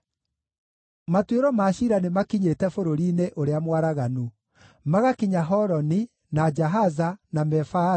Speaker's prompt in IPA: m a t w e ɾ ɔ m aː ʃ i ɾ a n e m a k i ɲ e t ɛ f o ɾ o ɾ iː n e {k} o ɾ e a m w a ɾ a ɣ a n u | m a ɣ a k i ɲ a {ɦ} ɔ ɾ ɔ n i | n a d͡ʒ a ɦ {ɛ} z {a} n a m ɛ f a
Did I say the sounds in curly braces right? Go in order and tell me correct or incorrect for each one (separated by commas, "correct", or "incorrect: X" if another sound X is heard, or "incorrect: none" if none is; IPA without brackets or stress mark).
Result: incorrect: ʔ, correct, incorrect: a, correct